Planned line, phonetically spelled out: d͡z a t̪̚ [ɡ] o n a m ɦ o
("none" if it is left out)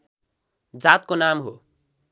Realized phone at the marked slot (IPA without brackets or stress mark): k